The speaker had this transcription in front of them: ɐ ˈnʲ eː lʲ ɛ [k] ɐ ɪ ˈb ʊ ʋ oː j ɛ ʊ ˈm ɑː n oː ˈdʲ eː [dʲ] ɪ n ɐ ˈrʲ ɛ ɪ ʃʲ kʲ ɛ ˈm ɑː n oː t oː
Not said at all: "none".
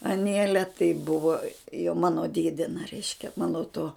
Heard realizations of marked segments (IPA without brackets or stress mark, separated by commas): t, dʲ